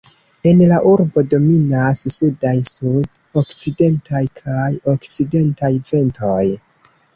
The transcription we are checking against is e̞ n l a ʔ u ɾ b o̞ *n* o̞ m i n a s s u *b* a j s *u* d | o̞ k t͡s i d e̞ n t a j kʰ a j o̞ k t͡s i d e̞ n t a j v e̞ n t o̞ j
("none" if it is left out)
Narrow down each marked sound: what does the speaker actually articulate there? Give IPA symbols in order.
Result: d, d, u

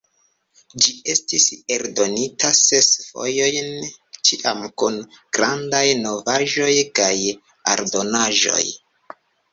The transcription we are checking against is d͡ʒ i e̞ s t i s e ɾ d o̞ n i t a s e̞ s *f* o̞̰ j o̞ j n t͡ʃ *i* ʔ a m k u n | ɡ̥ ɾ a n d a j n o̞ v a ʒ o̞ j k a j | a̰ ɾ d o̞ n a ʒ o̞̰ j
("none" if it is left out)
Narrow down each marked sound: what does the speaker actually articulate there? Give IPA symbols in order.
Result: f, i

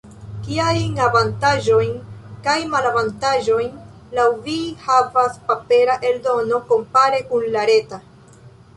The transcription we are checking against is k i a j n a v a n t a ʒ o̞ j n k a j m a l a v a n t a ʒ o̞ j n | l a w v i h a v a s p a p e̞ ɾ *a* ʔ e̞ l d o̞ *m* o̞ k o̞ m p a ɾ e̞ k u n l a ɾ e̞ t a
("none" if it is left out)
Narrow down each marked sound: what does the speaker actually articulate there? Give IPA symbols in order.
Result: a, n

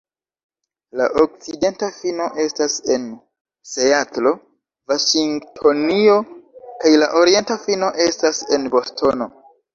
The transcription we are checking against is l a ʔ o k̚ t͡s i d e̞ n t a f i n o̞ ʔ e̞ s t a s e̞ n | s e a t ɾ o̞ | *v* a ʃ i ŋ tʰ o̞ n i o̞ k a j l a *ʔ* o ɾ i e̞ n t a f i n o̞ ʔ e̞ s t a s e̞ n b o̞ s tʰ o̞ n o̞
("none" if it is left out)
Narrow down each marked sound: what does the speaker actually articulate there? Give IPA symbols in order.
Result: v, ʔ

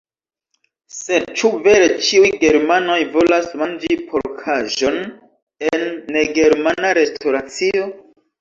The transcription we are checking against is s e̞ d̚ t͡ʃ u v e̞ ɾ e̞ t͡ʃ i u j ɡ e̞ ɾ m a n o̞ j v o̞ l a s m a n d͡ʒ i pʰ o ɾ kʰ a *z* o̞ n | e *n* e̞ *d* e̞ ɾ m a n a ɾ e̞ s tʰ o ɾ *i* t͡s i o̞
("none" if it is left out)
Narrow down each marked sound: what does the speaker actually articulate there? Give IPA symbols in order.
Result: ʒ, nː, ɡ, a

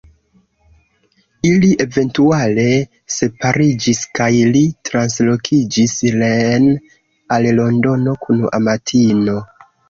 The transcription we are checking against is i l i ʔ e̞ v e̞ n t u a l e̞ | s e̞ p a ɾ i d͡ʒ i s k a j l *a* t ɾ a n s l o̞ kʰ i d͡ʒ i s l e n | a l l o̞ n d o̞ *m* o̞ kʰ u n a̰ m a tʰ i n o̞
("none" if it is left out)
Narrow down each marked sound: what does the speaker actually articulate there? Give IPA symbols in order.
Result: i, n

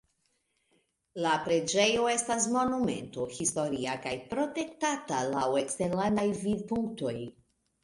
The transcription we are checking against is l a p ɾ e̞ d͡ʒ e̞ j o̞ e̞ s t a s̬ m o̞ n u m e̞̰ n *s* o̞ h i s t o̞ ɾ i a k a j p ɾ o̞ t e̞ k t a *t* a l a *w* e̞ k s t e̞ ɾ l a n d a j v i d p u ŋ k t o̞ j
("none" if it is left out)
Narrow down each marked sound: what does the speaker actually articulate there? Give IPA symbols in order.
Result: t, t, w

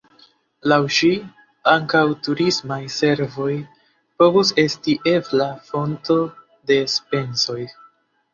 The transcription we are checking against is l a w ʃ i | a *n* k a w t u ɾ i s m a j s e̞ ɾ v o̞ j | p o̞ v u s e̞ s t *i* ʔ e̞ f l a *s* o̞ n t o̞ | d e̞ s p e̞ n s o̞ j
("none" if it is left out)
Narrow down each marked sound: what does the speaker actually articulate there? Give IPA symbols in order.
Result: ŋ, i, f

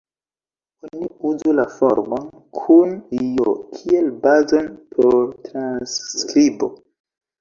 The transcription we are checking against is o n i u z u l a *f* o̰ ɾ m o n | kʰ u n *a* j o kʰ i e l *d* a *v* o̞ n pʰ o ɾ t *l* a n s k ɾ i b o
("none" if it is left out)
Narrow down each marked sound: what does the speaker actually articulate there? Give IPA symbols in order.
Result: f, i, b, z, ɾ

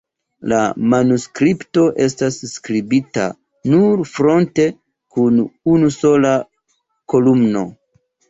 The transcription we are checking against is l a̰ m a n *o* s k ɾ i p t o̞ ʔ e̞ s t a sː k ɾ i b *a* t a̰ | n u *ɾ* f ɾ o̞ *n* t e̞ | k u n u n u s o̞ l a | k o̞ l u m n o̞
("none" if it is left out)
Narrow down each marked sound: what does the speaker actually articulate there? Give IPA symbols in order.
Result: u, i, ɾ, n

